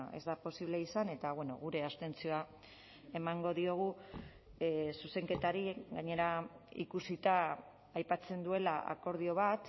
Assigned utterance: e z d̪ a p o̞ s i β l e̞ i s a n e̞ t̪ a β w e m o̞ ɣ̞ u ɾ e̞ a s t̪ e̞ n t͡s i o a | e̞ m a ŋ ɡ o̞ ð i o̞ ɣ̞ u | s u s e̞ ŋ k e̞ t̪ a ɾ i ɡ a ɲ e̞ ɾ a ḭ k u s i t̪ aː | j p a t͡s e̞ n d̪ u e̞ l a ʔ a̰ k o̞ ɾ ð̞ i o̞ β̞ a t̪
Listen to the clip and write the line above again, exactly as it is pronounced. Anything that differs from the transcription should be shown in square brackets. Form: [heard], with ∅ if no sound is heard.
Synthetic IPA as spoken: e z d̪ a p o̞ s i β l e̞ i s a n e̞ t̪ a β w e [n] o̞ ɣ̞ u ɾ e̞ a s t̪ e̞ n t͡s i o a | e̞ m a ŋ ɡ o̞ ð i o̞ ɣ̞ u | s u s e̞ ŋ k e̞ t̪ a ɾ i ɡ a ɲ e̞ ɾ a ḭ k u s i t̪ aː | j p a t͡s e̞ n d̪ u e̞ l a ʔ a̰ k o̞ ɾ ð̞ i o̞ β̞ a t̪